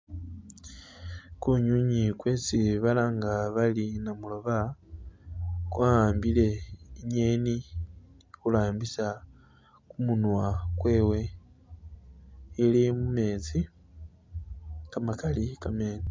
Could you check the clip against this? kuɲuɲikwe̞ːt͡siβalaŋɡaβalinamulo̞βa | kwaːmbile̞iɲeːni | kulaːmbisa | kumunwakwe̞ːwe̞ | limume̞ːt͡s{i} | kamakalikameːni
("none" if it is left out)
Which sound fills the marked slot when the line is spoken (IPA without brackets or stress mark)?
i